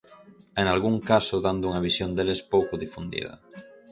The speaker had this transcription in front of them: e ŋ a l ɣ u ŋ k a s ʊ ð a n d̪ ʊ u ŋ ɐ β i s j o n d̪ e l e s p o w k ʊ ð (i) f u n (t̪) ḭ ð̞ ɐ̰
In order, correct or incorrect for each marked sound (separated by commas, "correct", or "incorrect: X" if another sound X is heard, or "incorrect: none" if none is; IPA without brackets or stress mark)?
correct, incorrect: d̪